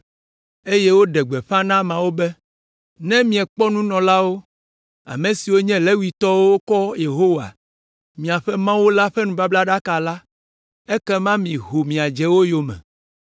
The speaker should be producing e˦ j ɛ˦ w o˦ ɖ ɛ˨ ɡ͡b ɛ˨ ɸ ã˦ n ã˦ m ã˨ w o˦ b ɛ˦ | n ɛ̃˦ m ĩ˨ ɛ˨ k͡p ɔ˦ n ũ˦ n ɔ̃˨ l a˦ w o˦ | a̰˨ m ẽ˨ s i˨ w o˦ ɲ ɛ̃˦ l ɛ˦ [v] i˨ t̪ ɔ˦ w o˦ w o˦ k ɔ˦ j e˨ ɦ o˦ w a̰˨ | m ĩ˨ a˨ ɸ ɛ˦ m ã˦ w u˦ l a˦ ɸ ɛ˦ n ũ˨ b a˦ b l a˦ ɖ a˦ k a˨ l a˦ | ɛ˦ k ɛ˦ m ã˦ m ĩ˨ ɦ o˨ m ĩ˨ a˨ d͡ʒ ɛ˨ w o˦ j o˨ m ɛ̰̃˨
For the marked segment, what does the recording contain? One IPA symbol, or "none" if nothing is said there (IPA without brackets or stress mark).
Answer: w